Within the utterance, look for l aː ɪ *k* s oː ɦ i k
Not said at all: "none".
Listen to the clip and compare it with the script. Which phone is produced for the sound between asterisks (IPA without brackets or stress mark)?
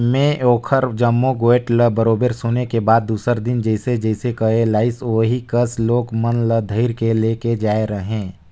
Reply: none